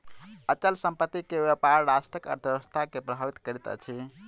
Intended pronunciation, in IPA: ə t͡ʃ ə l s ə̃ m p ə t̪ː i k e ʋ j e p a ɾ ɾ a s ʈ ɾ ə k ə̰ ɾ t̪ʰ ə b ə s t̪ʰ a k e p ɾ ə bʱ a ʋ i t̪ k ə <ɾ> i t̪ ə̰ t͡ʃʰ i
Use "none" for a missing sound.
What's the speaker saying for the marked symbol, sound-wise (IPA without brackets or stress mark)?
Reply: ɾ